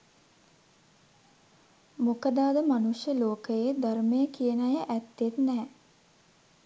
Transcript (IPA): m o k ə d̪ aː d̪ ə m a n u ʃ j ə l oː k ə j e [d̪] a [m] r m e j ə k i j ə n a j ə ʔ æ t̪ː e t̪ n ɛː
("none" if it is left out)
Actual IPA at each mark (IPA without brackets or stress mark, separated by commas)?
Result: d̪, none